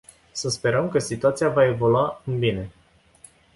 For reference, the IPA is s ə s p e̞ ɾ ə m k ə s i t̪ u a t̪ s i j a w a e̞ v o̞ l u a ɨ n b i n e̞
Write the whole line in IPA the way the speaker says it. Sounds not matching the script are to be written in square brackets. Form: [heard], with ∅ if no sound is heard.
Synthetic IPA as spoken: s ə s p e̞ ɾ ə m k ə s i t̪ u a t̪ s i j a [v] a e̞ v o̞ l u a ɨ n b i n e̞